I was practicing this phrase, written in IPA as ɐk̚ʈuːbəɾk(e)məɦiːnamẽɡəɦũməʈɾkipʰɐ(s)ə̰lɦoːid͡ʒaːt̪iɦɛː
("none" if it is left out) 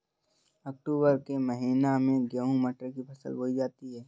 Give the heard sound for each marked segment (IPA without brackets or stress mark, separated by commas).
e, s